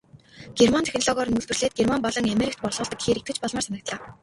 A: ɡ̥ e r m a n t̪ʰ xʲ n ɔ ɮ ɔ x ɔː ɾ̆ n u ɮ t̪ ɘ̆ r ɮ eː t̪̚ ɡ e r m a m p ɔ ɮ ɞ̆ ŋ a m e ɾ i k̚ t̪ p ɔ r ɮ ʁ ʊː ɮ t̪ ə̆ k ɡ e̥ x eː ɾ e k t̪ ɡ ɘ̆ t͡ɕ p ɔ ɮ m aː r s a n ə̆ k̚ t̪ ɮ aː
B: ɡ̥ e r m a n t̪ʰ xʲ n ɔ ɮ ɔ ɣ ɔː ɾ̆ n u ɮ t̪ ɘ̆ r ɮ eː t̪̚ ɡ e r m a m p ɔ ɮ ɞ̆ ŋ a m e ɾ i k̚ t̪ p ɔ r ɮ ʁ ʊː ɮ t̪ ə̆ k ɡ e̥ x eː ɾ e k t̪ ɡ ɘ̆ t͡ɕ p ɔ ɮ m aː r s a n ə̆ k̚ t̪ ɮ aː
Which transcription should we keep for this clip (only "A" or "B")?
B